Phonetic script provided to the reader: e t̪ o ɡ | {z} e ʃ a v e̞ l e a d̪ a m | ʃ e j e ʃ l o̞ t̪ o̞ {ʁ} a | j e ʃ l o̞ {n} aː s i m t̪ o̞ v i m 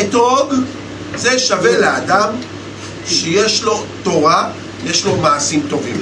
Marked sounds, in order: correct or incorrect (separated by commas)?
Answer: correct, correct, incorrect